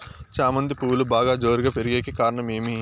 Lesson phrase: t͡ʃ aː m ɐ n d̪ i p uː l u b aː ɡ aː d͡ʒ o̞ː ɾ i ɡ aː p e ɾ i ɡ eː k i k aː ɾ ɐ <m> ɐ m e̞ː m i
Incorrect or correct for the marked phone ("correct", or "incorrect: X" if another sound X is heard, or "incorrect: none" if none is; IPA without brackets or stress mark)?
incorrect: ɳ